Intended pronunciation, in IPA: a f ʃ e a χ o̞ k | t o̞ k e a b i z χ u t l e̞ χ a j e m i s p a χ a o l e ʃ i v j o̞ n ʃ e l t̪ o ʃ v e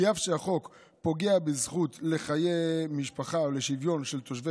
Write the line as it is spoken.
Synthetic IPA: a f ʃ e a χ o̞ k | p o̞ ɡ e a b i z χ u t l e̞ χ a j e m i ʃ p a χ a o l e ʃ i v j o̞ n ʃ e l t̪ o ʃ v e